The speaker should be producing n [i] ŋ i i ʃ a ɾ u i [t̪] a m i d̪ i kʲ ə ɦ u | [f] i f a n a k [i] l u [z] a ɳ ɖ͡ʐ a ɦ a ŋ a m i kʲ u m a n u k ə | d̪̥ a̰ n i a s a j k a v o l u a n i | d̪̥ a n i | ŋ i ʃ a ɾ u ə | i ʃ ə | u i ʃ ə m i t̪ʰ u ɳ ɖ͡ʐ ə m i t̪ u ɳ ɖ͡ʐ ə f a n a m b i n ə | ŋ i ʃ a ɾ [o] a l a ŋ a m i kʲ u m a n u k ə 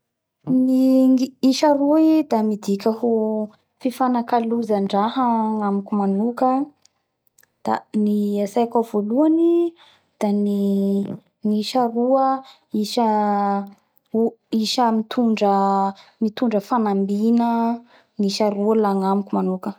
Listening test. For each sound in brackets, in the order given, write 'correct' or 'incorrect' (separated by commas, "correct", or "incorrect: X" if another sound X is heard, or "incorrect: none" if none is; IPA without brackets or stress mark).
correct, incorrect: d̪, correct, incorrect: a, correct, incorrect: u